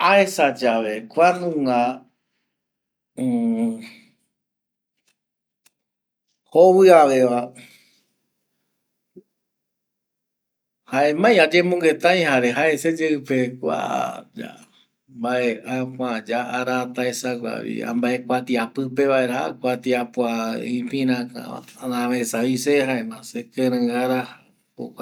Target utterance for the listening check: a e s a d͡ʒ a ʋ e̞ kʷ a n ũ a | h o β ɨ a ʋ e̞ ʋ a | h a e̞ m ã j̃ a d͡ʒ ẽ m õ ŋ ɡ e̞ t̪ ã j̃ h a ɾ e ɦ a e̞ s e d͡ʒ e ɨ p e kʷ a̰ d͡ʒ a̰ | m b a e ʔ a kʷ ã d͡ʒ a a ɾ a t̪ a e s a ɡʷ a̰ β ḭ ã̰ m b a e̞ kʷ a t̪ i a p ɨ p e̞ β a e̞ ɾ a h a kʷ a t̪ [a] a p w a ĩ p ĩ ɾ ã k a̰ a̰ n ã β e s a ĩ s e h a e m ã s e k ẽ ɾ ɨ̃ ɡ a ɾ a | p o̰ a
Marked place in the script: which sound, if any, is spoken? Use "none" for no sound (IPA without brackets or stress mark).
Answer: i